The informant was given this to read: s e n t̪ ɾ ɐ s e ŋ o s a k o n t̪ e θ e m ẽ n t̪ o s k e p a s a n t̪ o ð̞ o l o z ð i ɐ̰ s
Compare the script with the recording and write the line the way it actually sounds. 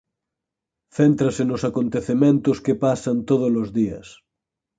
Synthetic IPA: θ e n t̪ ɾ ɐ s e n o s a k o n t̪ e θ e m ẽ n t̪ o s k e p a s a n t̪ o ð̞ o l o z ð i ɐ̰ s